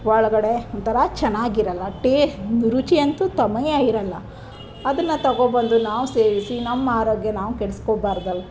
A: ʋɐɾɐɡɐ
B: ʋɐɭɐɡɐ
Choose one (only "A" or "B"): B